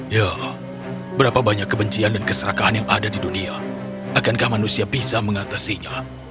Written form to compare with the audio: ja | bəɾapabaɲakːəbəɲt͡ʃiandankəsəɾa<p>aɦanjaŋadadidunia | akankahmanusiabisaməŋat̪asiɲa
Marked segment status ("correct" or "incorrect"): incorrect